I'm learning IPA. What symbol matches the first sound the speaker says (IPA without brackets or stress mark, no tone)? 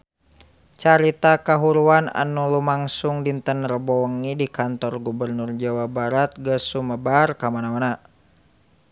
t͡ʃ